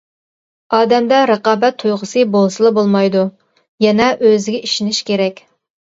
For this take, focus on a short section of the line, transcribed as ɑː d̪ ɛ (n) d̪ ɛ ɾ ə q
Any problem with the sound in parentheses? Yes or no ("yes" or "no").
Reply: yes